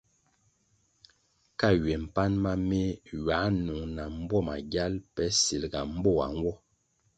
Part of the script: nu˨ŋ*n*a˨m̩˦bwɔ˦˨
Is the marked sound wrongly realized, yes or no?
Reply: no